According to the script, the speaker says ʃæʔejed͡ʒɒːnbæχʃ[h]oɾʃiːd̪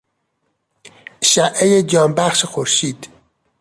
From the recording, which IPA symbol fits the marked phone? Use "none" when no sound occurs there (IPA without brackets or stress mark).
x